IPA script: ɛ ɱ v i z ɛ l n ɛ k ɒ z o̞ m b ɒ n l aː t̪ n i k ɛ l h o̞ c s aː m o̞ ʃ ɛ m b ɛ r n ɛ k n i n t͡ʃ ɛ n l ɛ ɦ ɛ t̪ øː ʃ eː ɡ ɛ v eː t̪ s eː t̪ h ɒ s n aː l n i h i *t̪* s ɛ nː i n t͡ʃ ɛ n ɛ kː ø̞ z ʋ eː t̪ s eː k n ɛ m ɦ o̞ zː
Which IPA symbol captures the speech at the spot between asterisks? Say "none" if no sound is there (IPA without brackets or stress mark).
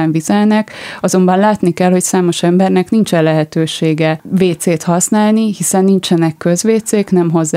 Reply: none